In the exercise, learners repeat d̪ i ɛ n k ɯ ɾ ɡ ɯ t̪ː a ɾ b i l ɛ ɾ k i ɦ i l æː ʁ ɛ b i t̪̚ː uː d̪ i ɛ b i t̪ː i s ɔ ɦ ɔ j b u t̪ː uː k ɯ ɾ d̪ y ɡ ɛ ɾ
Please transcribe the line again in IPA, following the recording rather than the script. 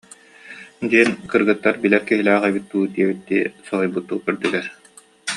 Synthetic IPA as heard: d̪ i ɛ n k ɯ ɾ ɡ ɯ t̪ː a ɾ b i l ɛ ɾ k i ɦ i l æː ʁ ɛ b i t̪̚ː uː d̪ i ɛ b i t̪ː i s ɔ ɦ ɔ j b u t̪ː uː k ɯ ɾ d̪ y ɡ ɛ ɾ